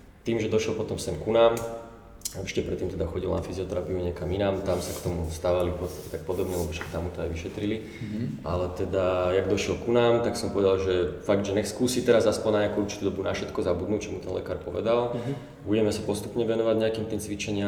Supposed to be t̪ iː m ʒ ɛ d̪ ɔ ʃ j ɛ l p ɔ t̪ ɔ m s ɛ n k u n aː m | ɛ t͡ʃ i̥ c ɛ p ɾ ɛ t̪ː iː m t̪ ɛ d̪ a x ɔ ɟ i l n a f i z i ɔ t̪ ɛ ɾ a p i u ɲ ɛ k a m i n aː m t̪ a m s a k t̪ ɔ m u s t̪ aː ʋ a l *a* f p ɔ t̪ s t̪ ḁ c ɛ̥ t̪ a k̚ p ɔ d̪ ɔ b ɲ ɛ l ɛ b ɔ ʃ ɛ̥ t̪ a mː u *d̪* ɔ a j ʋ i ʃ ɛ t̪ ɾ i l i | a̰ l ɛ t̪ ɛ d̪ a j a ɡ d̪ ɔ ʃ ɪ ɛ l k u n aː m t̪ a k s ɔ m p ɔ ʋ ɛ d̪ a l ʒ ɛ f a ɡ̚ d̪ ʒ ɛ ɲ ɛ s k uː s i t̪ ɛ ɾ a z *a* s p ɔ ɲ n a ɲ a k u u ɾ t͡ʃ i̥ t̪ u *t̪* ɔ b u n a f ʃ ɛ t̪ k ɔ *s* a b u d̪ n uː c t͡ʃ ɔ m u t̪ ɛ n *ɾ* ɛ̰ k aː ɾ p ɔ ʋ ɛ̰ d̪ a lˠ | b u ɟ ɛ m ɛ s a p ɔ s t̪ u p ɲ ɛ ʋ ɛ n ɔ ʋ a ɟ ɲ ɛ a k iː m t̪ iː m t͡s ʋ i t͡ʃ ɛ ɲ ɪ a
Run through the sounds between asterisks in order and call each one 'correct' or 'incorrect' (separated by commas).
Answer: incorrect, incorrect, correct, incorrect, incorrect, incorrect